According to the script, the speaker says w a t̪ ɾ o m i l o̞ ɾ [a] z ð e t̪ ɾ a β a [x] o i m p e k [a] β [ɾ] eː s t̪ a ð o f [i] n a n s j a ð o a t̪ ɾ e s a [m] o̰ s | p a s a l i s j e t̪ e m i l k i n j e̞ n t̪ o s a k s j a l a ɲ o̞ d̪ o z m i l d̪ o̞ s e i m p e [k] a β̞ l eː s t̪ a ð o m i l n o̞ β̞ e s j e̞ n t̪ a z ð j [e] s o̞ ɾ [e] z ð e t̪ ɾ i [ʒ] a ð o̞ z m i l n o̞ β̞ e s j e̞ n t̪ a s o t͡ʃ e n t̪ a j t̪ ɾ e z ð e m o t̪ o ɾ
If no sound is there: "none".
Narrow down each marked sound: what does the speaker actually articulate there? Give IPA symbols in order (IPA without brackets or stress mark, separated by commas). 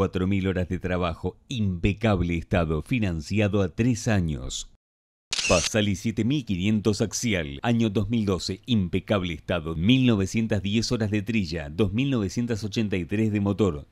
a, x, a, l, i, ɲ, k, e, a, ʒ